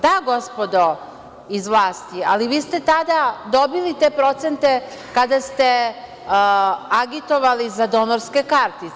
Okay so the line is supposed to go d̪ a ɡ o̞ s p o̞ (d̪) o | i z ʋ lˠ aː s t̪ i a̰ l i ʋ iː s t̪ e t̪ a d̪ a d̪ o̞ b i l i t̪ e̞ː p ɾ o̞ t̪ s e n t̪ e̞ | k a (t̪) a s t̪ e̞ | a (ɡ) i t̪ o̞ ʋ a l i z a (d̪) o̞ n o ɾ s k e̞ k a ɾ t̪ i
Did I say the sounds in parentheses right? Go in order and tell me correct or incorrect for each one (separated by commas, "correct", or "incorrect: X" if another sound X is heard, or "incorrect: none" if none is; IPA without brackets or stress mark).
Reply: correct, incorrect: d̪, correct, correct